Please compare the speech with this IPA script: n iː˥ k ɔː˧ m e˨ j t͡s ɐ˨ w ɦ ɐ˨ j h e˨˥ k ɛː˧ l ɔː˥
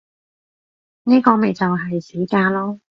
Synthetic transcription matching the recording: n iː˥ k ɔː˧ m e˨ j t͡s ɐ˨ w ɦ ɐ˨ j s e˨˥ k aː˧ l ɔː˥